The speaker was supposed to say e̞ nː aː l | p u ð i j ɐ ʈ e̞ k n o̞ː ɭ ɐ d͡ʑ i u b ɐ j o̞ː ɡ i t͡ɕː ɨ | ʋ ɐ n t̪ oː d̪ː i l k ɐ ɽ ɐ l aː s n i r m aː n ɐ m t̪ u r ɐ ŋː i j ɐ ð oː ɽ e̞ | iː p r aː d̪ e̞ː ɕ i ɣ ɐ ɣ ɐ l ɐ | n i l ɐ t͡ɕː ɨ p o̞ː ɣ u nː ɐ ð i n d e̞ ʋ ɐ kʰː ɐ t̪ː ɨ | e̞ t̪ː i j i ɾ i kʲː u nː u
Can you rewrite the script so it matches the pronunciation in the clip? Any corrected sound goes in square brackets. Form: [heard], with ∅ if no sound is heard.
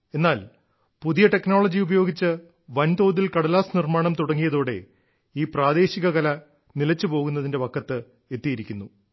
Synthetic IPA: e̞ nː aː l | p u ð i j ɐ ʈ e̞ k n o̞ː ɭ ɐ d͡ʑ i u b ɐ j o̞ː ɡ i t͡ɕː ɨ | ʋ ɐ n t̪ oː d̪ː i l k ɐ ɽ ɐ l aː s n i r m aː [ɳ] ɐ m t̪ u [ɽ] ɐ ŋː i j ɐ ð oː ɽ e̞ | iː p r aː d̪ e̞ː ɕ i ɣ ɐ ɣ ɐ l ɐ | n i l ɐ t͡ɕː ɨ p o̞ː ɣ u nː ɐ ð i n d e̞ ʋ ɐ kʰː ɐ t̪ː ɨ | e̞ t̪ː i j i ɾ i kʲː u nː u